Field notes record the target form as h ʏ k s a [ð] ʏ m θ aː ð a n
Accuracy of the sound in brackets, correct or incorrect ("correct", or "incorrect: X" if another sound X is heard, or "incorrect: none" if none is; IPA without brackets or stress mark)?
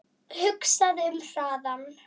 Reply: correct